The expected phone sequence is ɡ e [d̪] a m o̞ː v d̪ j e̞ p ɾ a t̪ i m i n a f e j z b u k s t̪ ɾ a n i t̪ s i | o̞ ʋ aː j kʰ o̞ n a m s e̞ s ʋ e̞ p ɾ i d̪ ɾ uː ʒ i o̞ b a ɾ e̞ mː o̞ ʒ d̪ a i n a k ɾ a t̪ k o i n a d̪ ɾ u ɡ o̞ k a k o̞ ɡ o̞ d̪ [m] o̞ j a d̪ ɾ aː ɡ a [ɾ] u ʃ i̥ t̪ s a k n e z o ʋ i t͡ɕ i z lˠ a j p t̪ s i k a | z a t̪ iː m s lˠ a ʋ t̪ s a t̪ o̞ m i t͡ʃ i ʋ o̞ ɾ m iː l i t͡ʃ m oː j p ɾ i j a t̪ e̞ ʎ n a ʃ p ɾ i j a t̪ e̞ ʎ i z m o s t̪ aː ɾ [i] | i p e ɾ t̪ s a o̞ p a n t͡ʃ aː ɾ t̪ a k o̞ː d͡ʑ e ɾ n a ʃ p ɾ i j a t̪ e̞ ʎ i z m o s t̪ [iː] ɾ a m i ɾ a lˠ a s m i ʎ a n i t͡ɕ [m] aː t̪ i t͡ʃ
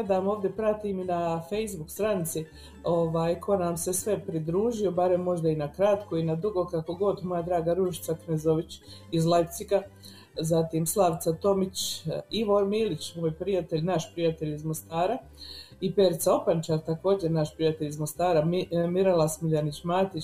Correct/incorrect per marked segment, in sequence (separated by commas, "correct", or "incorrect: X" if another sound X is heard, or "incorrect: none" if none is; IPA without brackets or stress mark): correct, correct, correct, incorrect: a, incorrect: aː, correct